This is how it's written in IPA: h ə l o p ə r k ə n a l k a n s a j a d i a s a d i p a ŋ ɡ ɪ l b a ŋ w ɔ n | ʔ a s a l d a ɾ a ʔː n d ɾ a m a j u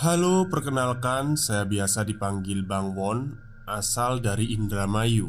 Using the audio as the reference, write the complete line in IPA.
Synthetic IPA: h a l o p ə r k ə n a l k a n s a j a b i a s a d i p a ŋ ɡ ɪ l b a ŋ w ɔ n | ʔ a s a l d a ɾ i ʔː n d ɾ a m a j u